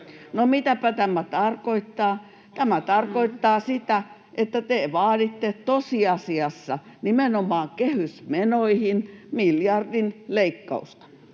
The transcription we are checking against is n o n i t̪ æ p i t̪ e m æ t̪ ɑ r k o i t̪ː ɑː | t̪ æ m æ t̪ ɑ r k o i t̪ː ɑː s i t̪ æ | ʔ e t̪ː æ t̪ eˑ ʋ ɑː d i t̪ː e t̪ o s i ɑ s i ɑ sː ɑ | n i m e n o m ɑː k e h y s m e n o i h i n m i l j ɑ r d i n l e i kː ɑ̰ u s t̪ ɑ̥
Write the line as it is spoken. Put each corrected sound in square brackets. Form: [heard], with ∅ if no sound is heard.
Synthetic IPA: n o [m] i t̪ æ p [æ] t̪ [æ] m æ t̪ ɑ r k o i t̪ː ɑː | t̪ æ m æ t̪ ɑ r k o i t̪ː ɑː s i t̪ æ | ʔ e t̪ː æ t̪ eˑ ʋ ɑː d i t̪ː e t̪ o s i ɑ s i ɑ sː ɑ | n i m e n o m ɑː k e h y s m e n o i h i n m i l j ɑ r d i n l e i kː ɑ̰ u s t̪ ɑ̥